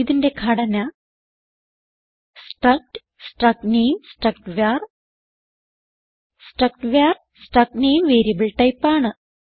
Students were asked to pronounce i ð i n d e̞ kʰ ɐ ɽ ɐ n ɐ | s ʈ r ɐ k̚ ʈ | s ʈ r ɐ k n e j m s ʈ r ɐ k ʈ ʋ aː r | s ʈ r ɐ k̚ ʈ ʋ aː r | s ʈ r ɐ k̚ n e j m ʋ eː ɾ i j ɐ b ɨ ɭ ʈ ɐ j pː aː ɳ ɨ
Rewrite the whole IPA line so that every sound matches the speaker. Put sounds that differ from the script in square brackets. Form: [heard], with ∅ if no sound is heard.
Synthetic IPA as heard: i ð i n d e̞ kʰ ɐ ɽ ɐ n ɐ | s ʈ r ɐ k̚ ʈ | s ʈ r ɐ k n e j m s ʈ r ɐ k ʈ ʋ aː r | s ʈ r ɐ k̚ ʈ ʋ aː r | s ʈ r ɐ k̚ n e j m ʋ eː ɾ i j ɐ b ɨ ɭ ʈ ɐ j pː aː ɳ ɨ